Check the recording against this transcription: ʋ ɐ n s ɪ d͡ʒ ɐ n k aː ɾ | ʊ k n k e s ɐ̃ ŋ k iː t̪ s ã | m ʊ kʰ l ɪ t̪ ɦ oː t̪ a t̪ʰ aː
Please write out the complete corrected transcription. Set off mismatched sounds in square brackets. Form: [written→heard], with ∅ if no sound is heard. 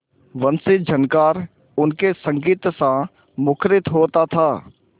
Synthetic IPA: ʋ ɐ n s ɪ d͡ʒ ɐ n k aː ɾ | ʊ [k→∅] n k e s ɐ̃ ŋ [k→ɡ] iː t̪ s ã | m ʊ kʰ [l→ɾ] ɪ t̪ ɦ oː t̪ a t̪ʰ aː